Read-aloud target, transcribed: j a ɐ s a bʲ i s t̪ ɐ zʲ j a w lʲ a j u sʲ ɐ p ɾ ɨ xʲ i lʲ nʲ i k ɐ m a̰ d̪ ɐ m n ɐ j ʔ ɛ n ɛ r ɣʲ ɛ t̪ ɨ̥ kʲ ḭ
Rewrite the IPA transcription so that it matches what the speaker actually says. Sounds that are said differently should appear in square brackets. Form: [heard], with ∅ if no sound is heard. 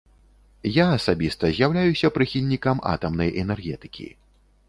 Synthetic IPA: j a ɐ s a bʲ i s t̪ ɐ zʲ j a w lʲ a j u sʲ ɐ p ɾ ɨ xʲ i lʲ nʲ i k ɐ m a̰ [t̪] ɐ m n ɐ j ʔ ɛ n ɛ r ɣʲ ɛ t̪ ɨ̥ kʲ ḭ